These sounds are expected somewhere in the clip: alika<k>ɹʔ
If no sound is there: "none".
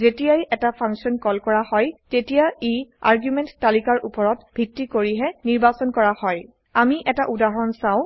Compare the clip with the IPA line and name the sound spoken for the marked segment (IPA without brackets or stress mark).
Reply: none